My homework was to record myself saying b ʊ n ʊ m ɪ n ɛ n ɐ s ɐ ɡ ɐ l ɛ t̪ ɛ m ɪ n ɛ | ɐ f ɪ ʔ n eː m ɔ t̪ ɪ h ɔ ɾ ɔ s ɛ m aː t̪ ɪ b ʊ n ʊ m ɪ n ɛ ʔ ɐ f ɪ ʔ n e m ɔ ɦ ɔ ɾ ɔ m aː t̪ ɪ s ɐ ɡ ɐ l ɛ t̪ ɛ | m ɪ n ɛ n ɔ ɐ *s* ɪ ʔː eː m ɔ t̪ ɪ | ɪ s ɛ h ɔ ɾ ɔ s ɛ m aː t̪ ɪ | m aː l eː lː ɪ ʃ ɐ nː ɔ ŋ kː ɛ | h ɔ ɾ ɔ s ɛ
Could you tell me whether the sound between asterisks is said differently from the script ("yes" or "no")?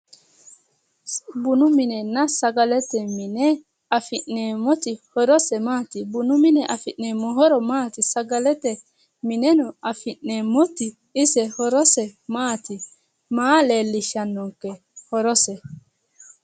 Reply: yes